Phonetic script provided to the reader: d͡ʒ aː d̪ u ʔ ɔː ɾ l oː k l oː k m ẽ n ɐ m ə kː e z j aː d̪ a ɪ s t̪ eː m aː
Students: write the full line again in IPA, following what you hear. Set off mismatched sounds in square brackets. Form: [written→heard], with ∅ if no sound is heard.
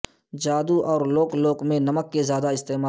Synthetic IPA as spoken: d͡ʒ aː d̪ u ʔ ɔː ɾ l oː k l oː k m ẽ n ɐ m ə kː e z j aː d̪ a ɪ s t̪ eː m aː